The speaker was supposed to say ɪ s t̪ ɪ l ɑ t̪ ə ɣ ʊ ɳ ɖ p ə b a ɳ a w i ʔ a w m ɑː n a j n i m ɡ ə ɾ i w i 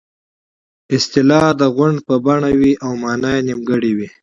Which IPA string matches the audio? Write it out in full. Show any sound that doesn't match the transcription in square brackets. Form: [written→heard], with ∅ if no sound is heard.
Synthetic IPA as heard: ɪ s t̪ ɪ l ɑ [t̪→d̪] ə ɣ ʊ ɳ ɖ p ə b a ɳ a w i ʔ a w m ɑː n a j n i m ɡ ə [ɾ→ɽ] i w i